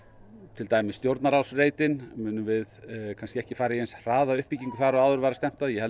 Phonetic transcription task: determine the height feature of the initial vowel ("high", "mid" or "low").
high